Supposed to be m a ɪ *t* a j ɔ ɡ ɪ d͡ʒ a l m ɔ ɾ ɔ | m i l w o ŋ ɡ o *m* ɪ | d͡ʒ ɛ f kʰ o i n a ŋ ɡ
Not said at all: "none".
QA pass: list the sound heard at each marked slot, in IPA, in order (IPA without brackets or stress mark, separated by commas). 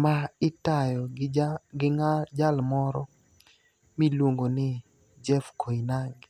t, n